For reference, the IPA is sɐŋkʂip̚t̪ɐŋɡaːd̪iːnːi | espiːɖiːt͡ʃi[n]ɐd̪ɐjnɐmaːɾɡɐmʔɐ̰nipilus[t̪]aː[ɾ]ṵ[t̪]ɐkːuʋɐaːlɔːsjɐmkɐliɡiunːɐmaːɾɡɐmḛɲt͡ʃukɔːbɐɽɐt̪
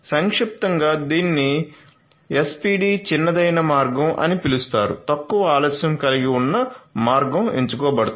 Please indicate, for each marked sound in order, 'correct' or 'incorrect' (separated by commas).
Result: incorrect, correct, correct, correct